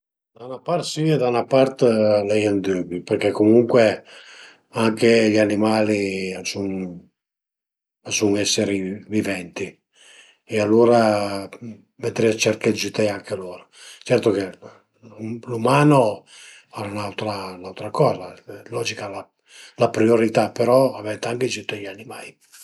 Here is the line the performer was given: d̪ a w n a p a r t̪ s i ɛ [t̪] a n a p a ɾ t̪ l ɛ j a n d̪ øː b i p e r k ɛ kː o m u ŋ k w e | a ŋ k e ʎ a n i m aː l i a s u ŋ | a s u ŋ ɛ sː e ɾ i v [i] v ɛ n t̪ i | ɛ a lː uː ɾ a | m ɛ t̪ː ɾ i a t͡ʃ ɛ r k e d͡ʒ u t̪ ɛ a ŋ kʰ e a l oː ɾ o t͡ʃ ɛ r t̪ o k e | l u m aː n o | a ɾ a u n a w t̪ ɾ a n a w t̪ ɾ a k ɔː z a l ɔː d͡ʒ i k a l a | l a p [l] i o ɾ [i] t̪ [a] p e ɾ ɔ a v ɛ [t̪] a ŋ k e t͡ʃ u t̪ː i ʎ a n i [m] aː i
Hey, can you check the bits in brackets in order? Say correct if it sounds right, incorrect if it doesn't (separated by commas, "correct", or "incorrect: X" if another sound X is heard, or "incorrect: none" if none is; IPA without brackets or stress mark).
incorrect: d̪, correct, incorrect: ɾ, correct, correct, correct, correct